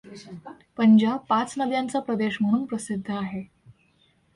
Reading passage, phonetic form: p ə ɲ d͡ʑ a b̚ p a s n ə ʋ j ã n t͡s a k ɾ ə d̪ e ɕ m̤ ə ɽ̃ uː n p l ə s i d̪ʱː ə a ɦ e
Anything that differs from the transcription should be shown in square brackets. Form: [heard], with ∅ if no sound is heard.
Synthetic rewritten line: p ə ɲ d͡ʑ a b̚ p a [t͡s] n ə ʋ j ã n t͡s a [p] ɾ ə d̪ e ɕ m̤ ə ɽ̃ uː n p [ɾ] ə s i d̪ʱː ə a ɦ e